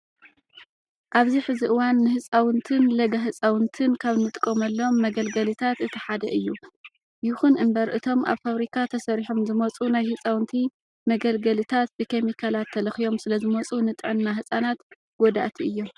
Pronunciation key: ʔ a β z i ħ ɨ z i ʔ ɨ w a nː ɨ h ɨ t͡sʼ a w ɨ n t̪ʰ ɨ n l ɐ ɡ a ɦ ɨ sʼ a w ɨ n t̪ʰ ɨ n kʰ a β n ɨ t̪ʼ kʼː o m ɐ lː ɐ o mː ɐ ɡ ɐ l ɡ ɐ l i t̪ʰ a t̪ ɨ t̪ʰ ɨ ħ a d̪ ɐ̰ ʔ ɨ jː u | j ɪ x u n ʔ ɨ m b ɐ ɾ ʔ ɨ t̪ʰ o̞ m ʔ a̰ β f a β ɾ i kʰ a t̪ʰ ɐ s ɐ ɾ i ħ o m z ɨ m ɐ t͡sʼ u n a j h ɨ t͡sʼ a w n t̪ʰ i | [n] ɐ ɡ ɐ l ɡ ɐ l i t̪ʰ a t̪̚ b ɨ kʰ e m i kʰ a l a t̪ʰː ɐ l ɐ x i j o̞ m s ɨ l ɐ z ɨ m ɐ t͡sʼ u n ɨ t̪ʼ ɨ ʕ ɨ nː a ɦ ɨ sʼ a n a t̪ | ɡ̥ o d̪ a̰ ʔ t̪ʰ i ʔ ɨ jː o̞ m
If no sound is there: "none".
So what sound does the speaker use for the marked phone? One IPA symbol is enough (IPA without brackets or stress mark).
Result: m